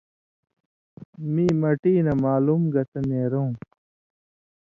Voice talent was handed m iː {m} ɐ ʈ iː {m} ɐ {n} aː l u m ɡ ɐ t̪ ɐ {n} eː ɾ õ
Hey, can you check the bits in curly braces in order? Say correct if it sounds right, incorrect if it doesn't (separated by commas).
correct, incorrect, incorrect, correct